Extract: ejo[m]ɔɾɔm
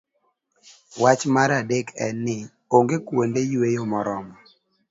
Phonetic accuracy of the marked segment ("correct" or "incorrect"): correct